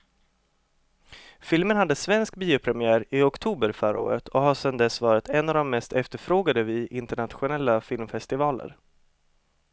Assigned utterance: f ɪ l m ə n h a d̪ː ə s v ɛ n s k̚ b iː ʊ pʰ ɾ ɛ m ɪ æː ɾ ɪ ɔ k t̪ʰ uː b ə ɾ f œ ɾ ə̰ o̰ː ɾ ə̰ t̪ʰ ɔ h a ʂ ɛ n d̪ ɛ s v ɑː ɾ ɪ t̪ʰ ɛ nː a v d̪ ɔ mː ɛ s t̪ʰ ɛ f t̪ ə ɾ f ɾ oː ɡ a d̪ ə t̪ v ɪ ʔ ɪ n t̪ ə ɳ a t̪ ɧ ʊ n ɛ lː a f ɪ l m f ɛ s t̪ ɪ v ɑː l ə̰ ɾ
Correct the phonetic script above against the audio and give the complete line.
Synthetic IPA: f ɪ l m ə n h a d̪ː ə s v ɛ n s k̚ b iː ʊ pʰ ɾ ɛ m ɪ æː ɾ ɪ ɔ k t̪ʰ uː b ə ɾ f œ ɾ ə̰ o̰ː ɾ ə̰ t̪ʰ ɔ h a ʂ ɛ n d̪ ɛ s v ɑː ɾ ɪ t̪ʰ ɛ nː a v d̪ ɔ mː ɛ s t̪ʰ ɛ f t̪ ə ɾ f ɾ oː ɡ a d̪ ə v ɪ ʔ ɪ n t̪ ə ɳ a t̪ ɧ ʊ n ɛ lː a f ɪ l m f ɛ s t̪ ɪ v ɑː l ə̰ ɾ